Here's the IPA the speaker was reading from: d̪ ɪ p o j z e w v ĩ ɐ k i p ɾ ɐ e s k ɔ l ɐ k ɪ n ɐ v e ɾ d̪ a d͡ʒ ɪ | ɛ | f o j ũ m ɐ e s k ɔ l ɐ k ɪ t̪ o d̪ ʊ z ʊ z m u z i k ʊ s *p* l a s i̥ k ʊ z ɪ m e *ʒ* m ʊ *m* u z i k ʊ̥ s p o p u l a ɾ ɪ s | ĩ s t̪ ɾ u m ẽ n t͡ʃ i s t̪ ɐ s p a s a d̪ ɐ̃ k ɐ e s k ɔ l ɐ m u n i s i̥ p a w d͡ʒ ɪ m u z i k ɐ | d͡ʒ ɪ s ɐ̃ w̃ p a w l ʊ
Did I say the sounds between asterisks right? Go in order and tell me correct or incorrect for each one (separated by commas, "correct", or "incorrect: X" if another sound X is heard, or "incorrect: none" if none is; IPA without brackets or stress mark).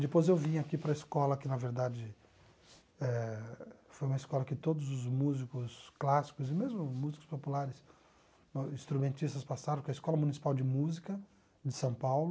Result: incorrect: k, incorrect: z, correct